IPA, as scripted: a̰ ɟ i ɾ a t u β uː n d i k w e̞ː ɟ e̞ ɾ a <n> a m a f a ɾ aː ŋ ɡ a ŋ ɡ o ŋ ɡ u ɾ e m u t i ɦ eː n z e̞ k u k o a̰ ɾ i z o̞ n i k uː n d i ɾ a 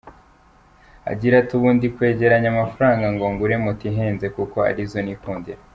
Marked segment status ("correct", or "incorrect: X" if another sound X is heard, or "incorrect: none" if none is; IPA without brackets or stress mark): incorrect: ɲ